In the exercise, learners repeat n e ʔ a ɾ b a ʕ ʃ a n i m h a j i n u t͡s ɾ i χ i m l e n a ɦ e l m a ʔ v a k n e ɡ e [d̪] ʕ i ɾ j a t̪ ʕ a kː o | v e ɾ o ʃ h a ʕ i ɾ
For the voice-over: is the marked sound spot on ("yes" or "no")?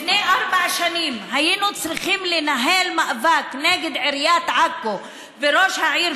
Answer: yes